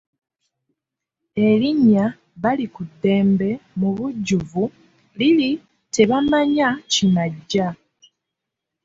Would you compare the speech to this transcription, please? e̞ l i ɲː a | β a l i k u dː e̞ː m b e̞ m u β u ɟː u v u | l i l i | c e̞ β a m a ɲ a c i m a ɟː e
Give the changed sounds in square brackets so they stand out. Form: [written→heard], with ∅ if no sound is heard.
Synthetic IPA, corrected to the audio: e̞ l i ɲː a | β a l i k u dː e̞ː m b e̞ m u β u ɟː u v u | l i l i | [c→t] e̞ β a m a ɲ a c i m a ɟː [e→a]

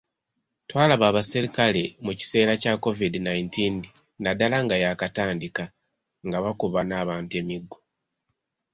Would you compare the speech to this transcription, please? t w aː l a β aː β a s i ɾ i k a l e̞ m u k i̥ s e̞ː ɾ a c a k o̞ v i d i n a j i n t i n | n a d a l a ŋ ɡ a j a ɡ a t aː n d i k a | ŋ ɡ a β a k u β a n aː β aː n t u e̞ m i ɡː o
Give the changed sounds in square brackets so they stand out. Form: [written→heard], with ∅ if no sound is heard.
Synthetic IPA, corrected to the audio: t w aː l a β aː β a s i ɾ i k a l e̞ m u [k→c] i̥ s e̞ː ɾ a c a k o̞ v i d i n a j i n t i n | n a d a l a ŋ ɡ a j a [ɡ→k] a t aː n d i k a | ŋ ɡ a β a k u β a n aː β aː n t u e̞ m i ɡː o

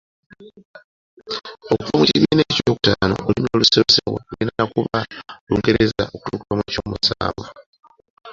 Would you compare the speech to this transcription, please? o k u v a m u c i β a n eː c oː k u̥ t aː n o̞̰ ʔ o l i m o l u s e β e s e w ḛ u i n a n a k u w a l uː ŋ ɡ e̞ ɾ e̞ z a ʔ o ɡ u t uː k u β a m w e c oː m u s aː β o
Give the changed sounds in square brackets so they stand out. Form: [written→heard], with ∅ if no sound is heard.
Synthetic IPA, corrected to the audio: o k u v a m u c i β [a→i] n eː c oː k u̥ t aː n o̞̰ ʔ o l i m o l u s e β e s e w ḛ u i n a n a k u [w→β] a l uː ŋ ɡ e̞ ɾ e̞ z a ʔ o [ɡ→k] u t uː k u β a m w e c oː m u s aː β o

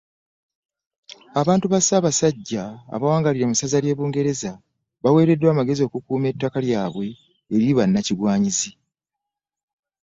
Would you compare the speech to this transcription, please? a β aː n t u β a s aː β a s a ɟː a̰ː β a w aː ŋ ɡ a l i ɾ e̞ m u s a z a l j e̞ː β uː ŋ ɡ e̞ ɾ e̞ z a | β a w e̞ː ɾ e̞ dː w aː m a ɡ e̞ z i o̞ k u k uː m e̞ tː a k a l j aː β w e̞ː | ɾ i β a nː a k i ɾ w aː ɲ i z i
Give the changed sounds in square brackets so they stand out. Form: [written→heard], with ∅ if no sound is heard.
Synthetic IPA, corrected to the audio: a β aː n t u β a s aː β a s a ɟː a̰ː β a w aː ŋ ɡ a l i ɾ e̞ m u s a z a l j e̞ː β uː ŋ ɡ e̞ ɾ e̞ z a | β a w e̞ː ɾ e̞ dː w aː m a ɡ e̞ z i o̞ k u k uː m e̞ tː a k a l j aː β w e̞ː | ɾ i β a nː a [k→c] i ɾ w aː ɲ i z i

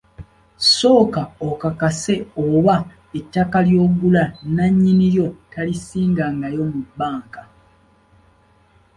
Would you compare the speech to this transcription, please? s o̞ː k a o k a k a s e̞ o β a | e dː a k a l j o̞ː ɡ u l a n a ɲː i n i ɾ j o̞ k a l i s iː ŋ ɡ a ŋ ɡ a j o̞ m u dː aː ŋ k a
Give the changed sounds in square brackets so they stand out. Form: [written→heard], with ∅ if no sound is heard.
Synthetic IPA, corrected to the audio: s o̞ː k a o k a k a s e̞ o β a | e [dː→tː] a k a l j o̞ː ɡ u l a n a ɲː i n i ɾ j o̞ [k→t] a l i s iː ŋ ɡ a ŋ ɡ a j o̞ m u [dː→bː] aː ŋ k a

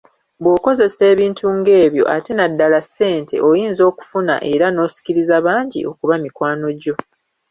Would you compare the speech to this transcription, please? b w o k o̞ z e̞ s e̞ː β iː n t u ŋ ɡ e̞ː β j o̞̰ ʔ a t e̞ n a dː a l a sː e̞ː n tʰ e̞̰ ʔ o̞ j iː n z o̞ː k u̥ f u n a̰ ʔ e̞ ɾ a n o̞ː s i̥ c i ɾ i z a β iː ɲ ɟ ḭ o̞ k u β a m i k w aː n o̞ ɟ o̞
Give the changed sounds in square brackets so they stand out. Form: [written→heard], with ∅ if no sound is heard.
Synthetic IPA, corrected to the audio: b w o k o̞ z e̞ s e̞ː β iː n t u ŋ ɡ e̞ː β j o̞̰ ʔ a t e̞ n a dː a l a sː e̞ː n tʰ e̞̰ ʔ o̞ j iː n z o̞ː k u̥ f u n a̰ ʔ e̞ ɾ a n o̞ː s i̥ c i ɾ i z a β [iː→aː] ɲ ɟ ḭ o̞ k u β a m i k w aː n o̞ ɟ o̞

